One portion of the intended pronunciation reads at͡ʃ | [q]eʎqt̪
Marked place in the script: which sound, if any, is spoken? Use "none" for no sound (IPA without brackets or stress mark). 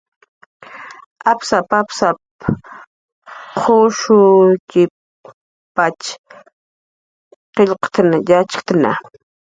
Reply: q